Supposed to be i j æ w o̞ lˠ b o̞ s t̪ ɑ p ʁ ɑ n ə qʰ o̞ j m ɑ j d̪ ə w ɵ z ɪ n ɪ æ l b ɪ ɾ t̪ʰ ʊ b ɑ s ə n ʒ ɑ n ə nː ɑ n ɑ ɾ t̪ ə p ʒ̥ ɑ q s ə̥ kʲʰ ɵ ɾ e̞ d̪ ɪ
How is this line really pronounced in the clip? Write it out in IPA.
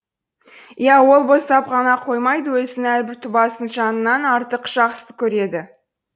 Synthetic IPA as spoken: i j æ w o̞ lˠ b o̞ s t̪ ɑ p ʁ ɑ n ɑ qʰ o̞ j m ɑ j d̪ ə w ɵ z ɪ n ɪ æ l b ɪ ɾ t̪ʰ ʊ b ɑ s ə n ʒ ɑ n ə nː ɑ n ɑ ɾ t̪ ə q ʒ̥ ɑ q s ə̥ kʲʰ ɵ ɾ e̞ d̪ ɪ